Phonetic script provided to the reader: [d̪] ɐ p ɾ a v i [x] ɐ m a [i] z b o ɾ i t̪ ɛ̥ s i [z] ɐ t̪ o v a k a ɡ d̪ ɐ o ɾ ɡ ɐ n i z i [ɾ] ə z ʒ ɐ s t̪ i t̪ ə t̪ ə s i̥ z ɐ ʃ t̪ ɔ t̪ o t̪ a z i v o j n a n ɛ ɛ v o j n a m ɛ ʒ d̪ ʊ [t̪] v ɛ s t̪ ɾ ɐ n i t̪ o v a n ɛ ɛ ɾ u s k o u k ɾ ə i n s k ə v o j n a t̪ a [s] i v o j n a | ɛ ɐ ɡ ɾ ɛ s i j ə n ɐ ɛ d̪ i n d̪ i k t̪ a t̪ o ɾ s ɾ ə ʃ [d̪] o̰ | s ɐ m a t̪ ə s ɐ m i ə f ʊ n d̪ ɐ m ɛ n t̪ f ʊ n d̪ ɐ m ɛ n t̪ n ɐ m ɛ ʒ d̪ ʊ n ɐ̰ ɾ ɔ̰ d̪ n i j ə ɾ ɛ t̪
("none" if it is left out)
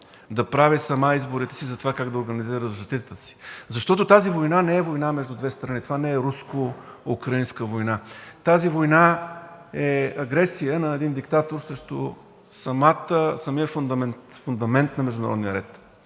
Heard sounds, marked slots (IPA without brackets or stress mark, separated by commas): d̪, s, i, z, ɾ, d̪, z, t̪